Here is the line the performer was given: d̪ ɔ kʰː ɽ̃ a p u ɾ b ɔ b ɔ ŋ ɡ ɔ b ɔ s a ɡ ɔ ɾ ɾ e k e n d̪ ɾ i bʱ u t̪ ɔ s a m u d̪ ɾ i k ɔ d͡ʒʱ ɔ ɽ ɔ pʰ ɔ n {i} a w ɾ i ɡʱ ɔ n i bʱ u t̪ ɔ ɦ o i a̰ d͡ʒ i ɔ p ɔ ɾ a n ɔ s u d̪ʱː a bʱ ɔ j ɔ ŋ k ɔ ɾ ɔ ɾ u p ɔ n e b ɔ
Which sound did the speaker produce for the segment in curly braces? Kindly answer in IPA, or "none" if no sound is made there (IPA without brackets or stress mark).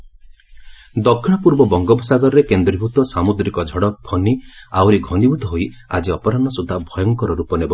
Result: i